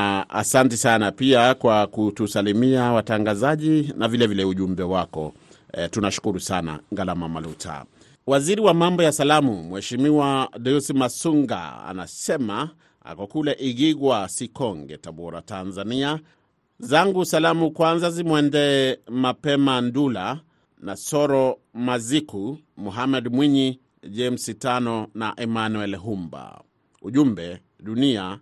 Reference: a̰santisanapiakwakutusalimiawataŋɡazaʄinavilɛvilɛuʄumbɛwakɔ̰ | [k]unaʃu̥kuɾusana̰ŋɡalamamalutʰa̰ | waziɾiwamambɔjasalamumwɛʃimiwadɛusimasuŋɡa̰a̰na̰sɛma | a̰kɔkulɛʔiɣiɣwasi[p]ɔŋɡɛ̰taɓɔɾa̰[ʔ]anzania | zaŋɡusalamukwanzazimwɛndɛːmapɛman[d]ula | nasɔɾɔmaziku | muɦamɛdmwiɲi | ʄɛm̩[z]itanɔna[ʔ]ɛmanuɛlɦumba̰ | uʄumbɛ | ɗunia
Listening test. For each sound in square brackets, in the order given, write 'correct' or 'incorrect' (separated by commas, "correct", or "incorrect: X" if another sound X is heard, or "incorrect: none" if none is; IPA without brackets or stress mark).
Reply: incorrect: t, incorrect: k, incorrect: t, correct, incorrect: s, correct